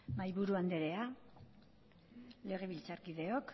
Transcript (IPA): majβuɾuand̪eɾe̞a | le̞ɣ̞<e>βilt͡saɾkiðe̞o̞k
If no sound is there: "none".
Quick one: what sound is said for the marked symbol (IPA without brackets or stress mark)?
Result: e